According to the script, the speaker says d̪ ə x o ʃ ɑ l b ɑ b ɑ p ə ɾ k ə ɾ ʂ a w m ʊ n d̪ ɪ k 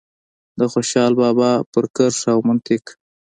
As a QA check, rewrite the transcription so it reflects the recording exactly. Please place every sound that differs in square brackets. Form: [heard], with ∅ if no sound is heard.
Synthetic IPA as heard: d̪ ə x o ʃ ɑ l b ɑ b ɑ p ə ɾ k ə ɾ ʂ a w m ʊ n [t̪] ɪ k

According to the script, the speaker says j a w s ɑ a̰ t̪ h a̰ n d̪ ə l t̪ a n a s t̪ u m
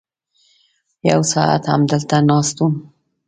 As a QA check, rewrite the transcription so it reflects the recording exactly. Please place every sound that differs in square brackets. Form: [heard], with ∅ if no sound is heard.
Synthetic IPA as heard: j a w s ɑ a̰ t̪ h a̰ [m] d̪ ə l t̪ a n [ɑ] s t̪ u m

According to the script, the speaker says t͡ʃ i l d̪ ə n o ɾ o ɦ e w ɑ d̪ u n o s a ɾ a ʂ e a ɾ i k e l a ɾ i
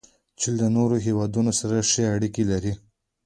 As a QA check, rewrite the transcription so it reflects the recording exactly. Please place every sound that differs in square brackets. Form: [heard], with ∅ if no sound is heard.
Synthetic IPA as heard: t͡ʃ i l d̪ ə n o ɾ o ɦ e w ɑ d̪ u n o s a ɾ a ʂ e a [ɽ] i k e l a ɾ i

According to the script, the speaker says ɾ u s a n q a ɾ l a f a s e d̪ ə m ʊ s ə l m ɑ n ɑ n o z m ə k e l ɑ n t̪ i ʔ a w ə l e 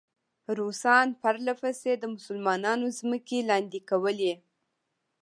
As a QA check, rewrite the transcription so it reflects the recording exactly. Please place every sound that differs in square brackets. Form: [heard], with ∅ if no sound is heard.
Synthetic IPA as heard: ɾ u s [ɑ] n [p] a ɾ l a f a s e d̪ ə m ʊ s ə l m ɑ n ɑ n o z m ə k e l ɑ n [d̪] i [k] a w ə l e

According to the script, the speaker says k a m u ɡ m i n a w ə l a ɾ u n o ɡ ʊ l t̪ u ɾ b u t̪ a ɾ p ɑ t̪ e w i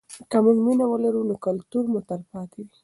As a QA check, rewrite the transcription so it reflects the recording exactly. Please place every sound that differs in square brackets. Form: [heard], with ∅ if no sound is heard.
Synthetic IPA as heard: k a m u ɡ m i n a w ə l a ɾ u n o [k] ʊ l t̪ u ɾ [m] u t̪ a ɾ p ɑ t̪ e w i

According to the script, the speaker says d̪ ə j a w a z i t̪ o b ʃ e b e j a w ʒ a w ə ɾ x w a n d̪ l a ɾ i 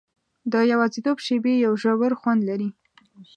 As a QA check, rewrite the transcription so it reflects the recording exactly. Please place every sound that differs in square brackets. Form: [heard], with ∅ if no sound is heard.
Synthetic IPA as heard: d̪ ə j a w [ɑ] z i t̪ o b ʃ e b e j a w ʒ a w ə ɾ x w a n d̪ l a ɾ i

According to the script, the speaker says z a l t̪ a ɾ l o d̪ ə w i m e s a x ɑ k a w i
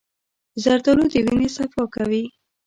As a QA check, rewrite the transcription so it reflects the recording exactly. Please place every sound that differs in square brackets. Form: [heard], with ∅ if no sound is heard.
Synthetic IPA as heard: z a [ɾ] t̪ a [∅] l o d̪ ə w i [n] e s a [f] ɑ k a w i

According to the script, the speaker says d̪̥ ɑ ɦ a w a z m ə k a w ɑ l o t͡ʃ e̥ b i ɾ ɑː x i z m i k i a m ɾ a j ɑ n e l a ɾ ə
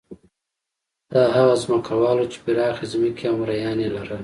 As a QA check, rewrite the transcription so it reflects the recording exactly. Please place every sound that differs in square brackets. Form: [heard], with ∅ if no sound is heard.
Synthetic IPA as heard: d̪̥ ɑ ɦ a [ɣ] a z m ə k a w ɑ l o t͡ʃ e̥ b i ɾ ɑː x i z m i k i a m ɾ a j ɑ n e l a ɾ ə

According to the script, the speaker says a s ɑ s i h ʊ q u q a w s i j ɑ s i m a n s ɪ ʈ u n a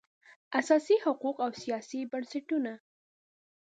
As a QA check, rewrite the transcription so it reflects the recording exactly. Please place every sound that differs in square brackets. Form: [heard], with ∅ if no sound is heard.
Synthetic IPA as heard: a s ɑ s i h ʊ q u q a w s i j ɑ s i [b] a n s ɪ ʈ u n a

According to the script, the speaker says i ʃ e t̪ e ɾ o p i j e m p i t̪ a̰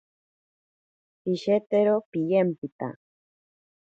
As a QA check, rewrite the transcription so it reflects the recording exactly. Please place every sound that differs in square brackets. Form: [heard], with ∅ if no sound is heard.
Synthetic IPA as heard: i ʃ e t̪ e ɾ o p i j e m p i t̪ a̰

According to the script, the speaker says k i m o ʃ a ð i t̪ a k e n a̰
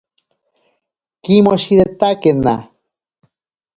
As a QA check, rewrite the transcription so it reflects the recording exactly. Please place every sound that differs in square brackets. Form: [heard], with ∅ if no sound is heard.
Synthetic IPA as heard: k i m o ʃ [i] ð [e] t̪ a k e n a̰

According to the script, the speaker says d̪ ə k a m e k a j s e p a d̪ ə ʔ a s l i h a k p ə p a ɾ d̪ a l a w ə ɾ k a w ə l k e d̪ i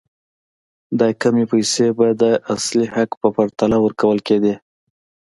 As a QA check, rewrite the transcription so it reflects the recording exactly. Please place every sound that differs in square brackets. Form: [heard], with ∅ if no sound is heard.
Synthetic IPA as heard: d̪ [ɑ] k a m e [p] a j s e [b] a d̪ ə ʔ a s l i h a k p ə p a ɾ [t̪] a l a w ə ɾ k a w ə l k e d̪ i

